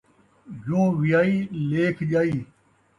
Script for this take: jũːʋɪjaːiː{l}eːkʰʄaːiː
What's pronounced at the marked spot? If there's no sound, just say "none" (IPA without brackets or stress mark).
l